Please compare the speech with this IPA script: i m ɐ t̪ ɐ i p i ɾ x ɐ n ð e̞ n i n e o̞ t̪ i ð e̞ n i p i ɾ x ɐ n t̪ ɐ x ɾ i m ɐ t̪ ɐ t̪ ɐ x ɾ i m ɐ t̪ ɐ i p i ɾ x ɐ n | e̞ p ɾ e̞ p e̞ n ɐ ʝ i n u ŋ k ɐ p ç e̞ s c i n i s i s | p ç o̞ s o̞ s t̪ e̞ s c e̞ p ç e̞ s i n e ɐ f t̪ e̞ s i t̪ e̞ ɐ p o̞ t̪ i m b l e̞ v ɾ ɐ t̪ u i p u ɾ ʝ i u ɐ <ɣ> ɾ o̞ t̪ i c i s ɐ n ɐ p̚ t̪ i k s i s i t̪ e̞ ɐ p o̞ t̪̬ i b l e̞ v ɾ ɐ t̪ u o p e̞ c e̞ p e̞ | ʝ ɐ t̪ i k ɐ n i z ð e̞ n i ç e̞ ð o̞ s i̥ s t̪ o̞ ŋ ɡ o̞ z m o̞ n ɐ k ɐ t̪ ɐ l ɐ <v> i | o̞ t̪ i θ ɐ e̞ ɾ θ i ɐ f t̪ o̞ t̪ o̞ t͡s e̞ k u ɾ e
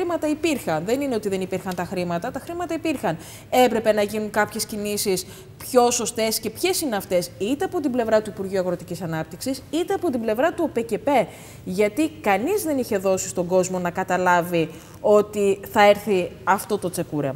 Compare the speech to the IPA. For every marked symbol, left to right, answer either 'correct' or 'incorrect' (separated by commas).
correct, correct